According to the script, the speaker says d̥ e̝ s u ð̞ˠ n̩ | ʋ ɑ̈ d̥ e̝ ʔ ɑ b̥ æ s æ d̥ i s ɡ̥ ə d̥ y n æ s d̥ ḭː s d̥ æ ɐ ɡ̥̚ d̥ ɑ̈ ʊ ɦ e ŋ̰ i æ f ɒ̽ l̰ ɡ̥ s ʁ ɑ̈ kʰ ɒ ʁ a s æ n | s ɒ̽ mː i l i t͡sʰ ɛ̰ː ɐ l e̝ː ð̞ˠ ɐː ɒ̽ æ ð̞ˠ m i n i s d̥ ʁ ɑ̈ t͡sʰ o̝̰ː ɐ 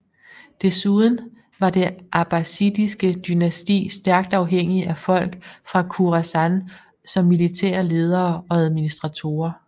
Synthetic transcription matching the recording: d̥ e̝ s u ð̞ˠ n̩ | ʋ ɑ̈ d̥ e̝ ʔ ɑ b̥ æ s i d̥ i s ɡ̥ ə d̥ y n æ s d̥ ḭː s d̥ æ ɐ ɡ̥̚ d̥ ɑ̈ ʊ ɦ e ŋ̰ i æ f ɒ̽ l̰ ɡ̥ f ʁ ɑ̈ kʰ u ʁ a s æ n | s ɒ̽ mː i l i t͡sʰ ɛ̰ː ɐ l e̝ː ð̞ˠ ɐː ɒ̽ æ ð̞ˠ m i n i s d̥ ʁ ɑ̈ t͡sʰ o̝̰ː ɐ